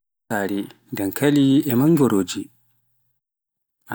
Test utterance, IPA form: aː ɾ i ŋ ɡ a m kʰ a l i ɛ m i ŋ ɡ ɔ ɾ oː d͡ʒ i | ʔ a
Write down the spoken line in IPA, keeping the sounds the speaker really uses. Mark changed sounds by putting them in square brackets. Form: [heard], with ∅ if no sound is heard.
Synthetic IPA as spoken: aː ɾ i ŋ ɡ a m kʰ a l i ɛ m [a] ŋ ɡ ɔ ɾ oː d͡ʒ i | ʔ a